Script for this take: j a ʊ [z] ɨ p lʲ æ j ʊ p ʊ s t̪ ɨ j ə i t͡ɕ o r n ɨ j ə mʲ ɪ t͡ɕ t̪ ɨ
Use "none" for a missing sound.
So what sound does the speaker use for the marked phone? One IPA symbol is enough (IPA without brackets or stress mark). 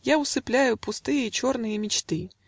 s